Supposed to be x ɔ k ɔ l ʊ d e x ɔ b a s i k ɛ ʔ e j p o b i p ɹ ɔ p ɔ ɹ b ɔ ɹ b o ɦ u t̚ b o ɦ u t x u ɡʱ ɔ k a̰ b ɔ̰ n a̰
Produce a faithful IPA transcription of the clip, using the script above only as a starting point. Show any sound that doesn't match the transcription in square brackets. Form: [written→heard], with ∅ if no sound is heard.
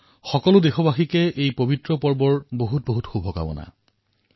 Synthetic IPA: x ɔ k ɔ l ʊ d e x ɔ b a [s→x] i k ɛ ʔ e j p o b i [p→t] ɹ ɔ p ɔ ɹ b ɔ ɹ b o ɦ u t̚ b o ɦ u t x u [ɡʱ→bʱ] ɔ k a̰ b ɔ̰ n a̰